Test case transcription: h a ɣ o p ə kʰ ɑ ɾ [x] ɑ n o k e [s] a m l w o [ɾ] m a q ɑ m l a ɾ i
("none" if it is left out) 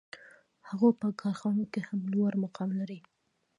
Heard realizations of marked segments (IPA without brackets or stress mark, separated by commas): x, h, ɾ